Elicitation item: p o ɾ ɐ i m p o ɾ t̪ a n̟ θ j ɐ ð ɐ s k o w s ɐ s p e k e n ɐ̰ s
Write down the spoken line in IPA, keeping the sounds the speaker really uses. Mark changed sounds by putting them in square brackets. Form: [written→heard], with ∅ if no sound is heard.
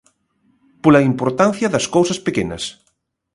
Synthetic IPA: p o [ɾ→l] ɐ i m p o ɾ t̪ a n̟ θ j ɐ ð ɐ s k o w s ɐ s p e k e n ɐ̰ s